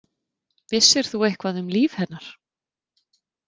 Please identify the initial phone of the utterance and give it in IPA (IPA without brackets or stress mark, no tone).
v